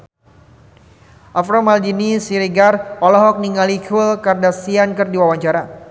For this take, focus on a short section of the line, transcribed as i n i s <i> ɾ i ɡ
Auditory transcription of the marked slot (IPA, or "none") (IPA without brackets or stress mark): i